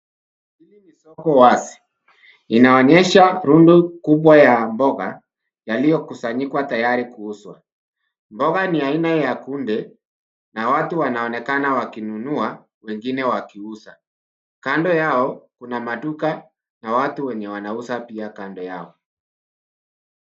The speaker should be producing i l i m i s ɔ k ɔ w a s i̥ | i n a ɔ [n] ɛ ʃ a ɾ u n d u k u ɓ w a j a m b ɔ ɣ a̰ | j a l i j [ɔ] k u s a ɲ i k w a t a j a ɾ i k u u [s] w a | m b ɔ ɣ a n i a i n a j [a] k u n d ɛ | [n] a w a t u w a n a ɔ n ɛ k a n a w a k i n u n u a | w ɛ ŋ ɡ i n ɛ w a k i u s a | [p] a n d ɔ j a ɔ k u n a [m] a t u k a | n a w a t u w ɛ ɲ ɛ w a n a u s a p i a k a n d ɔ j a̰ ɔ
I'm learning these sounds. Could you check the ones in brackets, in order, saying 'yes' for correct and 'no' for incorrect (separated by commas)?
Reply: no, yes, yes, yes, yes, no, yes